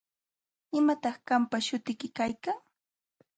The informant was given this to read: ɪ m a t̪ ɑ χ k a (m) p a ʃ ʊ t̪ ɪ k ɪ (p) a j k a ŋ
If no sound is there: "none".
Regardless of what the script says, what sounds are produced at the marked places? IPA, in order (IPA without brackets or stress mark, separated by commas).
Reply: m, k